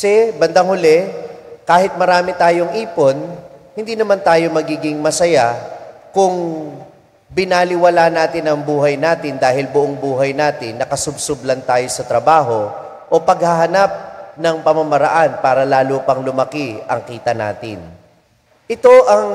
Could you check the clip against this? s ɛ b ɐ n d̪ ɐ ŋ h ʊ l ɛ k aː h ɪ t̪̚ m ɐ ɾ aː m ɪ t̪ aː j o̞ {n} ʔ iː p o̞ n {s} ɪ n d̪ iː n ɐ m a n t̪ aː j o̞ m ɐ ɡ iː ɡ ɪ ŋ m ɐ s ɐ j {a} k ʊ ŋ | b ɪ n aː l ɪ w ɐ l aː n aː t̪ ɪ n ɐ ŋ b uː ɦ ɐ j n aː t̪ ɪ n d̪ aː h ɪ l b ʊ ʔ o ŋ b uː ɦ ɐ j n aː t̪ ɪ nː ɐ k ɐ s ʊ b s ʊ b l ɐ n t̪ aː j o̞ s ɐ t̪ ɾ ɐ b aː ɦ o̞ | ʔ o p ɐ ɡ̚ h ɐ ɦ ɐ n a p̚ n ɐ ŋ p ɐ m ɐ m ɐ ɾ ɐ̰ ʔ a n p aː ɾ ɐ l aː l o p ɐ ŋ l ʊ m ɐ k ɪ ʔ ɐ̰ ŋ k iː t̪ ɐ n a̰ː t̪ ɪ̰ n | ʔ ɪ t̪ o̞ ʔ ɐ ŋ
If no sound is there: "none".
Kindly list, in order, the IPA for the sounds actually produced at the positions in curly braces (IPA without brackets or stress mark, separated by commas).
ŋ, h, a